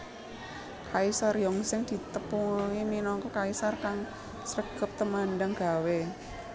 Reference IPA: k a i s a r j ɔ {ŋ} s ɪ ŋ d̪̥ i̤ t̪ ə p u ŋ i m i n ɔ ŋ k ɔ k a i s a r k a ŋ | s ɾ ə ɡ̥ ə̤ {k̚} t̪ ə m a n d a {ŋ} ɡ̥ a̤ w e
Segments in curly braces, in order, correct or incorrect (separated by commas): correct, incorrect, correct